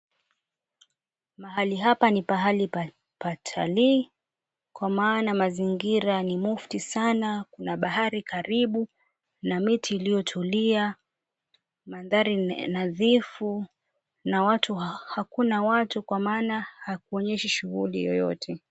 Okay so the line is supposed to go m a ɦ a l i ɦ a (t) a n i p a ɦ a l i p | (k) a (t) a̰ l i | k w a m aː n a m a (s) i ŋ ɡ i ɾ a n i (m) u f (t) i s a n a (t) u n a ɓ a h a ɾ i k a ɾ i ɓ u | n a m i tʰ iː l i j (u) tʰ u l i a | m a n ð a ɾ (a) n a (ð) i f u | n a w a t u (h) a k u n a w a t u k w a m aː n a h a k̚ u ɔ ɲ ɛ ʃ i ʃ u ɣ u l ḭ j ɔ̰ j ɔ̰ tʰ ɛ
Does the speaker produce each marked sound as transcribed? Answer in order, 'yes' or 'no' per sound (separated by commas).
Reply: no, no, no, no, yes, yes, no, no, no, yes, yes